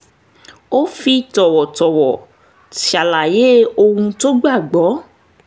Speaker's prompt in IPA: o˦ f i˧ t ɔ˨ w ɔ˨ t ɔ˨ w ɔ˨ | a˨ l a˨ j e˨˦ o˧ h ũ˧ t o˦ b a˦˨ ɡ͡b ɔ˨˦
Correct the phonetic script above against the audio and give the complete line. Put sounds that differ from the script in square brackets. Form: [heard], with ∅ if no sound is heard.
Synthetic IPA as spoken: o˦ f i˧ t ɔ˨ w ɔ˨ t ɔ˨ w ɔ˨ | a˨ l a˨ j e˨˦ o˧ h ũ˧ t o˦ [ɡ͡b] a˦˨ ɡ͡b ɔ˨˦